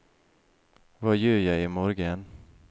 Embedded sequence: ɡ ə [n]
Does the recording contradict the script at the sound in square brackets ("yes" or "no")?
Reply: no